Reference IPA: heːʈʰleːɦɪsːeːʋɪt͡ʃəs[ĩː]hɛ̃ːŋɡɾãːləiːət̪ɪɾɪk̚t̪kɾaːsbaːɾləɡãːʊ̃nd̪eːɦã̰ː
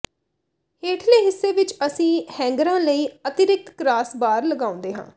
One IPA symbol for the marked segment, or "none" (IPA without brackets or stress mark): ĩː